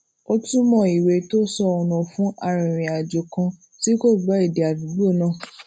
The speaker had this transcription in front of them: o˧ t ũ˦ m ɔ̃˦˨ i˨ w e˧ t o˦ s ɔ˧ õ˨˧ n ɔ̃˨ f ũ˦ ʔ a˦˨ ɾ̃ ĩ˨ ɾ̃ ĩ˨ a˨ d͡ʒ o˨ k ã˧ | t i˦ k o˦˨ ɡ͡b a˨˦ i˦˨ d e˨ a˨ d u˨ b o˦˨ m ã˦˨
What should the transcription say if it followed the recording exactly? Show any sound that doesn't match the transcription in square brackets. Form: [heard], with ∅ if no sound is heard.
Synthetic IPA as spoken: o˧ t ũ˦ m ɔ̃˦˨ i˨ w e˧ t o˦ s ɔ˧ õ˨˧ n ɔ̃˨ f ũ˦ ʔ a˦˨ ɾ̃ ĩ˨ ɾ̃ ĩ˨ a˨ d͡ʒ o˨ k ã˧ | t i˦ k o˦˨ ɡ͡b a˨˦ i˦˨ d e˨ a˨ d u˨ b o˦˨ [n] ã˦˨

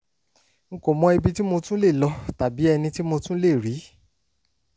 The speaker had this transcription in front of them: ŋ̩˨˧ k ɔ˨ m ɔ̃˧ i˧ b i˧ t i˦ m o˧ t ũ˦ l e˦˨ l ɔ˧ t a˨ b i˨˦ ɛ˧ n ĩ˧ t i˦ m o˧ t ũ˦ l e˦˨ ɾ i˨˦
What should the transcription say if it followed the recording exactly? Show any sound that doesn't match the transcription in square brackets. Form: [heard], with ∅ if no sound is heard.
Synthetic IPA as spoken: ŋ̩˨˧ k [o˨] m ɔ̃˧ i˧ b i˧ t i˦ m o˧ t ũ˦ l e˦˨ l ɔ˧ t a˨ b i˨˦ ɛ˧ n ĩ˧ t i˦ m o˧ t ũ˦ l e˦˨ ɾ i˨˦

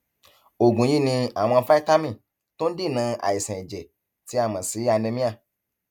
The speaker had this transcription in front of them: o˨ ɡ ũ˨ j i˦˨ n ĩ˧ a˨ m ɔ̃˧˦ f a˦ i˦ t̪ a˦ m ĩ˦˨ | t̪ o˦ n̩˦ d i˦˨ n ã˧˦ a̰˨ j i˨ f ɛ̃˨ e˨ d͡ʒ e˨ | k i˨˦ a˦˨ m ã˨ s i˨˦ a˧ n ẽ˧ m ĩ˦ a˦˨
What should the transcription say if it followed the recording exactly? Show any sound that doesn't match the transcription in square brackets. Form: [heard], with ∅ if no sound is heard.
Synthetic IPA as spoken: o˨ ɡ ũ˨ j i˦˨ n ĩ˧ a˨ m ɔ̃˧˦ f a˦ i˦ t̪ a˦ m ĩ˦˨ | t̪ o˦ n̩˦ d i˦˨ n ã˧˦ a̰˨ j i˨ [s] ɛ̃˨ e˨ d͡ʒ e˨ | [t] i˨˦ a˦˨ m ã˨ s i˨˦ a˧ n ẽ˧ m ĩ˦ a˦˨

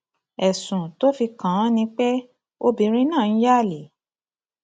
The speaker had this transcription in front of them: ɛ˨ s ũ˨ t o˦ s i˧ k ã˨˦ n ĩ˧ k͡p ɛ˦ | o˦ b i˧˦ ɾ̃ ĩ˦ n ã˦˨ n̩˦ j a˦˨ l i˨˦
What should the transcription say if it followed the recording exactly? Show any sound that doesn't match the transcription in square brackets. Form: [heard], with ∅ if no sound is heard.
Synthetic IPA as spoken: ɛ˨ s ũ˨ t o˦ [f] i˧ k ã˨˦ n ĩ˧ k͡p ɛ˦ | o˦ b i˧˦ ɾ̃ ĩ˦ n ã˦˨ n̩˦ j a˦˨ l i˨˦

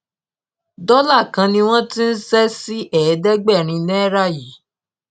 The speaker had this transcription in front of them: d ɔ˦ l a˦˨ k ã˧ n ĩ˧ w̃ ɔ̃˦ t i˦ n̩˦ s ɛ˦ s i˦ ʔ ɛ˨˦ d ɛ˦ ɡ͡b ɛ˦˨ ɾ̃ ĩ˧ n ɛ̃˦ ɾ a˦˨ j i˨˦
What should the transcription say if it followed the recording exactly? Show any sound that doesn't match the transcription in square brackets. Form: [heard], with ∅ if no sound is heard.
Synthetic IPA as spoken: d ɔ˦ l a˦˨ k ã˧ n ĩ˧ w̃ ɔ̃˦ t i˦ n̩˦ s ɛ˦ s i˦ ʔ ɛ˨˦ d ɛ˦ ɡ͡b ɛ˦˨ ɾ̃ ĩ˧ n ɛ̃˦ ɾ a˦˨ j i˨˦

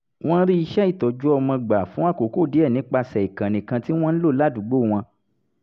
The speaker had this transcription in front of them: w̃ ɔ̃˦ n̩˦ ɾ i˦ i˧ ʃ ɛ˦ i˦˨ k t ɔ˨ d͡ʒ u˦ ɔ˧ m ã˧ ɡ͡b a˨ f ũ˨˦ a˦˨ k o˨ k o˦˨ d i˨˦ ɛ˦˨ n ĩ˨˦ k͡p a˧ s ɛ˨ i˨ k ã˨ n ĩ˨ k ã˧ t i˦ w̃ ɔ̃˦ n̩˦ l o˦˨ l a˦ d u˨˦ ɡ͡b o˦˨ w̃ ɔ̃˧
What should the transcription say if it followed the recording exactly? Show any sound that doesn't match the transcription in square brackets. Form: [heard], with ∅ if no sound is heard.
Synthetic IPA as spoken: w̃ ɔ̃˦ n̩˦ ɾ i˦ i˧ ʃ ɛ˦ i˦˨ [∅] t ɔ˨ d͡ʒ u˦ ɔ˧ m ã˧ ɡ͡b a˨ f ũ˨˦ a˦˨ k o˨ k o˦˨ d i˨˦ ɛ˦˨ n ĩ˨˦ k͡p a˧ s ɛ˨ i˨ k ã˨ n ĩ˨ k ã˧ t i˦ w̃ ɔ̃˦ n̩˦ l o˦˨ l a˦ d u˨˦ ɡ͡b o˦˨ w̃ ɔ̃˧

